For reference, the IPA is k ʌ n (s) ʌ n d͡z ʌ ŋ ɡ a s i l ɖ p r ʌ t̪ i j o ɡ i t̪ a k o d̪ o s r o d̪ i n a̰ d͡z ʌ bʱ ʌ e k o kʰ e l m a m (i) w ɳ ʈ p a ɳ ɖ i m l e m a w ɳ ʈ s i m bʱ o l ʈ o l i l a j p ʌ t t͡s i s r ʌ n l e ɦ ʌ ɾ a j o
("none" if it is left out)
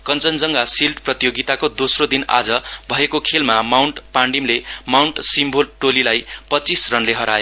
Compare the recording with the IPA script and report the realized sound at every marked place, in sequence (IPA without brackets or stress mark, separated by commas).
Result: t͡s, a